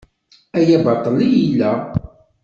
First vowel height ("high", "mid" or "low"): low